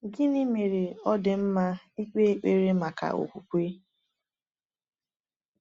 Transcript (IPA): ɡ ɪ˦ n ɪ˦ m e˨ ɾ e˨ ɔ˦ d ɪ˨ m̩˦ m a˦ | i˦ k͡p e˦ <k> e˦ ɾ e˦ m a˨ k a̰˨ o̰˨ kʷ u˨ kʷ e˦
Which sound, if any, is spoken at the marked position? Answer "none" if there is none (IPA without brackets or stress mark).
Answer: k͡p